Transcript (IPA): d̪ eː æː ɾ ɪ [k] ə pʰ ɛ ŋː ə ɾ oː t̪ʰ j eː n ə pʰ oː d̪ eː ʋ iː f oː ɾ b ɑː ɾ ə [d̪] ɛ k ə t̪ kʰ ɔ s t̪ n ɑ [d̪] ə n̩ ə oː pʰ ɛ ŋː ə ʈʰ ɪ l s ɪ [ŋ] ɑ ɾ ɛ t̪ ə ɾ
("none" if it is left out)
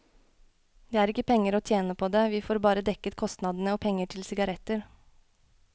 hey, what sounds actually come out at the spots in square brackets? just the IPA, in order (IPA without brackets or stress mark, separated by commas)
k, d̪, d̪, ɡ